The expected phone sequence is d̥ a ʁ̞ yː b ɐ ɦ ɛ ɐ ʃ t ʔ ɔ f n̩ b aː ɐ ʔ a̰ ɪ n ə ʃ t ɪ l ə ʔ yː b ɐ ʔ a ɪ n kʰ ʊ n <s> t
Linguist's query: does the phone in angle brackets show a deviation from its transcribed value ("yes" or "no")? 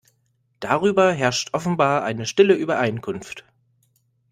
yes